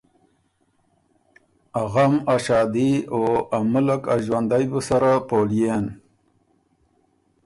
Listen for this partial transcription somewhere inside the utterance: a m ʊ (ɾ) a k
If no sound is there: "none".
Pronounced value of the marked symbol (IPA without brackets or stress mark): l